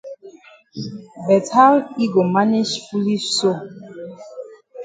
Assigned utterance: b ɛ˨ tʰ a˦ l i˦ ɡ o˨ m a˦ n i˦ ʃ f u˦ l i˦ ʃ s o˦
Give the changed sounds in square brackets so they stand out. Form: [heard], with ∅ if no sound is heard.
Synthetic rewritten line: b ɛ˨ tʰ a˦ l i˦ ɡ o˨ m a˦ n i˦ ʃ f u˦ l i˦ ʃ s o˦